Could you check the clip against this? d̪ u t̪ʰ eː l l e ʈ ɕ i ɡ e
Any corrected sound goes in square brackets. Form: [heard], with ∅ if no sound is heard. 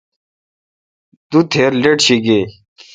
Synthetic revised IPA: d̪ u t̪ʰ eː [ɾ] l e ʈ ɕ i ɡ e